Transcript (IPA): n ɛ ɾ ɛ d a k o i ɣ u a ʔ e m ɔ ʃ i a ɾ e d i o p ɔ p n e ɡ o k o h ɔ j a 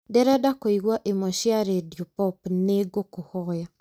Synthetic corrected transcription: d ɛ ɾ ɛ d a k o i ɣ w a ʔ e m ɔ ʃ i a ɾ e d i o p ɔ p n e ɡ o k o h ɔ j a